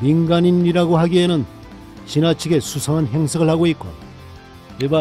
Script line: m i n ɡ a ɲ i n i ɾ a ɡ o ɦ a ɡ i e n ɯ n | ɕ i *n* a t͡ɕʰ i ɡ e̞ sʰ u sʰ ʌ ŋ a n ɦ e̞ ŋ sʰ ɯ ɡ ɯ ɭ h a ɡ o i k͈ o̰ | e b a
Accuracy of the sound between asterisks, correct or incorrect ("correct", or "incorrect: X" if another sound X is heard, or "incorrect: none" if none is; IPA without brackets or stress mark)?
correct